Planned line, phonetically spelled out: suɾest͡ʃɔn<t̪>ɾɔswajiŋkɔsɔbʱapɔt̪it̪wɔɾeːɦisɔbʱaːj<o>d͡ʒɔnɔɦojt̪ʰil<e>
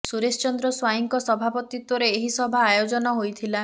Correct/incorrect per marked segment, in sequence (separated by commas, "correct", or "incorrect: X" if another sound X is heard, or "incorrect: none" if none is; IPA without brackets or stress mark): incorrect: d̪, correct, incorrect: a